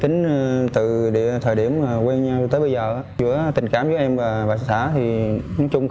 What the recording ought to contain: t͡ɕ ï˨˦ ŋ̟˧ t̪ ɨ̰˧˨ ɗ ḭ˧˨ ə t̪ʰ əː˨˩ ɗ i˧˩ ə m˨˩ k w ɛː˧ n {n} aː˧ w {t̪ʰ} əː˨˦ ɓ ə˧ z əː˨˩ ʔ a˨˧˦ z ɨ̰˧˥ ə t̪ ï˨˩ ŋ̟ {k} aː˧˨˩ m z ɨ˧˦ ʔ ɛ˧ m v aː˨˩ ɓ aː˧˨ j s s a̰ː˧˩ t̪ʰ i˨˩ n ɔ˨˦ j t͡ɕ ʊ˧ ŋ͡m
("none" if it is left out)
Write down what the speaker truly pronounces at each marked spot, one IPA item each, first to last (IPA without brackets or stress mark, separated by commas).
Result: ɲ, t̪, k